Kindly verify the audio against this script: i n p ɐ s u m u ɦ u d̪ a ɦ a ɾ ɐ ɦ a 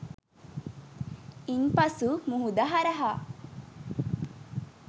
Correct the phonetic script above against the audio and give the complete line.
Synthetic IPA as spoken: i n p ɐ s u m u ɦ u d̪ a ɦ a ɾ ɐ ɦ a